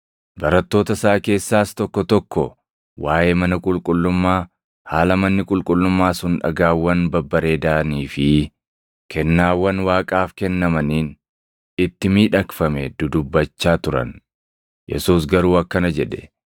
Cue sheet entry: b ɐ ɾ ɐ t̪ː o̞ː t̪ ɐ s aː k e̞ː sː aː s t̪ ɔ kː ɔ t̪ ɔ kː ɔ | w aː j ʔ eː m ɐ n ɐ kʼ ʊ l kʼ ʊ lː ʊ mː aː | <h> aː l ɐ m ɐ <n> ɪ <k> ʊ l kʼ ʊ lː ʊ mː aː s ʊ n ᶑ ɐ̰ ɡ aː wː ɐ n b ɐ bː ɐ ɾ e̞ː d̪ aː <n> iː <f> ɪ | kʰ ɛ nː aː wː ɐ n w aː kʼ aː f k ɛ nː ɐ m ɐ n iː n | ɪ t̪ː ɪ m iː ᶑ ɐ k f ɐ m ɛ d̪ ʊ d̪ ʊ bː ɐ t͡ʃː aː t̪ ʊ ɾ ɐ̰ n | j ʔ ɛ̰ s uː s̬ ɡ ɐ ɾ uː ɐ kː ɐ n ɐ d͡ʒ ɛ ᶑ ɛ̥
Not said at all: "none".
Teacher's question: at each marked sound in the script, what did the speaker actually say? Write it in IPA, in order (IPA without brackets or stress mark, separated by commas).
h, nː, kʼ, n, f